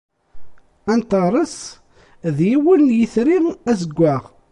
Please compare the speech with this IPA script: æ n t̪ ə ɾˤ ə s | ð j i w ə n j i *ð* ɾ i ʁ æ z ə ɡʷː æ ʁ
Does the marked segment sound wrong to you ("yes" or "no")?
yes